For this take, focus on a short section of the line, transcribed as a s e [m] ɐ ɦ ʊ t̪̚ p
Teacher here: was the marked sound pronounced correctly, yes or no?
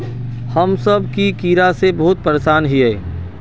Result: no